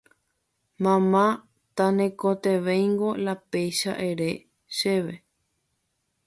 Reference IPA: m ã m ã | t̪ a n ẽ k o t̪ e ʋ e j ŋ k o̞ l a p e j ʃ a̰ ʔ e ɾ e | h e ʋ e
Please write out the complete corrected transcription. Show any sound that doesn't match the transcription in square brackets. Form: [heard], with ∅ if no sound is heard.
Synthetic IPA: m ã m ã | t̪ a n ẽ k o t̪ e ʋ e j ŋ [ɡ] o̞ l a p e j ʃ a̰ ʔ e ɾ e | [ʃ] e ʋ e

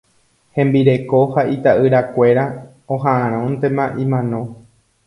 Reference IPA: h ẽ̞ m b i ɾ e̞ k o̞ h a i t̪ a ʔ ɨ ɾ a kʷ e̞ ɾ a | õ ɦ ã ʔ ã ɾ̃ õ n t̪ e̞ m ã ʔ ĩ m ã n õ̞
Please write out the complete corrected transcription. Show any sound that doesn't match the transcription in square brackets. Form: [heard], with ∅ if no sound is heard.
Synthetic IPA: h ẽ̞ m b i ɾ e̞ k o̞ h a i t̪ a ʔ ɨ ɾ a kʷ e̞ ɾ a | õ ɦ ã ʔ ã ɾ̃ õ n t̪ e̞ m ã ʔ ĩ m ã n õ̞

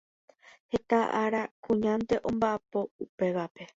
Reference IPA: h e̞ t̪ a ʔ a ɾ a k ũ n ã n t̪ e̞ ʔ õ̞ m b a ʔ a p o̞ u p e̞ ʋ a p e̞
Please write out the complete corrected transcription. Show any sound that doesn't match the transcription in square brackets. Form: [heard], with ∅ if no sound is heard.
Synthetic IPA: h e̞ t̪ a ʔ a ɾ a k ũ [ɲ] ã n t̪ e̞ ʔ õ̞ m b a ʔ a p o̞ u p e̞ ʋ a p e̞

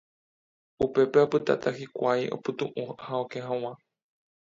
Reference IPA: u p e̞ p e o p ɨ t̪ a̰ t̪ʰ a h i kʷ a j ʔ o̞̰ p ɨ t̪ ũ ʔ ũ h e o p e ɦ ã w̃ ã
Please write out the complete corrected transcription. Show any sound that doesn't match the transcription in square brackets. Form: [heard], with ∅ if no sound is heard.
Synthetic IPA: u p e̞ p e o p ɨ t̪ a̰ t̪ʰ a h i kʷ a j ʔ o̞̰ p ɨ t̪ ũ ʔ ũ h [a] o [k] e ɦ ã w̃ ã

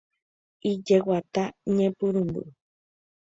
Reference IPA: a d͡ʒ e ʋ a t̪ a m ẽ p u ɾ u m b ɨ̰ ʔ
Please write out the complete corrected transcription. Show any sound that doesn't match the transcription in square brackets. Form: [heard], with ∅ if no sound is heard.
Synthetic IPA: [i] d͡ʒ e [w] a t̪ a [ɲ] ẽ p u ɾ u m b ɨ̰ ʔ

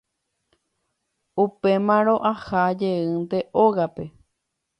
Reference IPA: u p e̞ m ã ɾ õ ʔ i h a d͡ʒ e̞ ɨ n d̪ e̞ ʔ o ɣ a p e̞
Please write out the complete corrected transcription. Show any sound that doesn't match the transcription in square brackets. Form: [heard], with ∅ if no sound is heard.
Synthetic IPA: u p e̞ m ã ɾ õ ʔ [a] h a d͡ʒ e̞ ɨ n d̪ e̞ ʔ o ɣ a p e̞

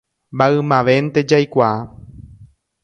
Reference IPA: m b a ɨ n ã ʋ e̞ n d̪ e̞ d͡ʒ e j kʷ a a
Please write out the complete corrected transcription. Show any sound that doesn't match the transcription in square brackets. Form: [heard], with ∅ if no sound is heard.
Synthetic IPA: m b a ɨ [m] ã ʋ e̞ n [t̪] e̞ d͡ʒ [a] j kʷ a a

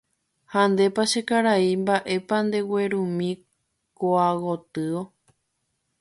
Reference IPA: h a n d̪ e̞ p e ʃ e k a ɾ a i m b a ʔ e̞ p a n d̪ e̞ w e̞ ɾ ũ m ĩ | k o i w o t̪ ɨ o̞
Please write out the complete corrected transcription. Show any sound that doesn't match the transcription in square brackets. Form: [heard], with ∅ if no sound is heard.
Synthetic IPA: h a n d̪ e̞ p [a] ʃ e k a ɾ a i m b a ʔ e̞ p a n d̪ e̞ w e̞ ɾ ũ m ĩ | k o [a] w o t̪ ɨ o̞

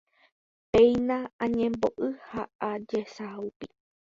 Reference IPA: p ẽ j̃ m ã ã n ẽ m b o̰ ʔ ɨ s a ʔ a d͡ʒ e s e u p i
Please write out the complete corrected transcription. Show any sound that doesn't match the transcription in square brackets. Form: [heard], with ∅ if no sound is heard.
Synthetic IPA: p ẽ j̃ [n] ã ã [ɲ] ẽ m b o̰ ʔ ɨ [h] a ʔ a d͡ʒ e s [a] u p i

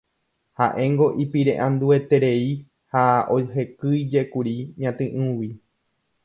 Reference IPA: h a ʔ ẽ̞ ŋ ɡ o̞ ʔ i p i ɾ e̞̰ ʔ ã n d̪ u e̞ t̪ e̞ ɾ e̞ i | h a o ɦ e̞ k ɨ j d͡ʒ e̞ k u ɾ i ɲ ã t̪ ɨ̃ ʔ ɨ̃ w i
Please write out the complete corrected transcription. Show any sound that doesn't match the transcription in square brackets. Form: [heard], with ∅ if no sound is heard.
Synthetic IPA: h a ʔ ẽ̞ ŋ ɡ o̞ ʔ i p i ɾ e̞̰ ʔ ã n d̪ u e̞ t̪ e̞ ɾ e̞ i | h a o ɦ e̞ k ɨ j d͡ʒ e̞ k u ɾ i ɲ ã t̪ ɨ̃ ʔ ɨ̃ w i

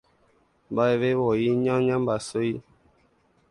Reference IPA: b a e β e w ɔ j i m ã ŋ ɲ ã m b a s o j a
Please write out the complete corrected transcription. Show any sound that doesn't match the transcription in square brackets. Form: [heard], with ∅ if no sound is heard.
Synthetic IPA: b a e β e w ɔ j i [ɲ] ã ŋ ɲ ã m b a s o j [i]

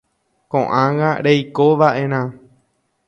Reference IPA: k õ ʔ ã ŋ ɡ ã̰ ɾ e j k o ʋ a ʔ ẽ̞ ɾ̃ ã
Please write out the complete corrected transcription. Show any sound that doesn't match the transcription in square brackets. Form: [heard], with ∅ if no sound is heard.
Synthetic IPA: k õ ʔ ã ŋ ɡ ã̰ ɾ e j k o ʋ a ʔ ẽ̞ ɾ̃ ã

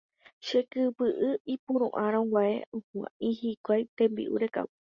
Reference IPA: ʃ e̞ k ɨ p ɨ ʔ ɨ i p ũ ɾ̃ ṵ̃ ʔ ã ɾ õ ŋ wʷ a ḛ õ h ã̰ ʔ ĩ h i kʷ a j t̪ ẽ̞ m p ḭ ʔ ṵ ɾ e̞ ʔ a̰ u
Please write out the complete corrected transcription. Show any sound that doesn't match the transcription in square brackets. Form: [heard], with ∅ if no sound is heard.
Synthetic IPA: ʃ e̞ k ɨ p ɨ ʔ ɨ i p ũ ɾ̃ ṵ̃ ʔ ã ɾ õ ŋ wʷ a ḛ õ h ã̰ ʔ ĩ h i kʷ a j t̪ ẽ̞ m [b] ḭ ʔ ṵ ɾ e̞ [k] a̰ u

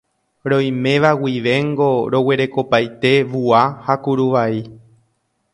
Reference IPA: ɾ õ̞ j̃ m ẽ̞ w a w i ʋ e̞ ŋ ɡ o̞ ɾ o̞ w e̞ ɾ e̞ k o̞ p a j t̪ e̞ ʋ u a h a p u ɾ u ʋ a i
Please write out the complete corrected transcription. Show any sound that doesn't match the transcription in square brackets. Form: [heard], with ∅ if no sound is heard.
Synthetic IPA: ɾ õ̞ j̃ m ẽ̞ [ʋ] a w i ʋ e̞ ŋ ɡ o̞ ɾ o̞ w e̞ ɾ e̞ k o̞ p a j t̪ e̞ ʋ u a h a [k] u ɾ u ʋ a i

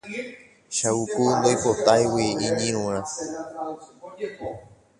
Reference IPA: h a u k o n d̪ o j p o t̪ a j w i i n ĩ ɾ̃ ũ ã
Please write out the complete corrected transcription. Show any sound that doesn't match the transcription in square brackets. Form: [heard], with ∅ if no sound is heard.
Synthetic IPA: [ʃ] a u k [u] n d̪ o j p o t̪ a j w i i [ɲ] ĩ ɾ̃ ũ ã

